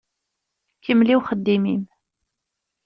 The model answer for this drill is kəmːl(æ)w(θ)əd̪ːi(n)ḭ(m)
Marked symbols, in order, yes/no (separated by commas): no, no, no, yes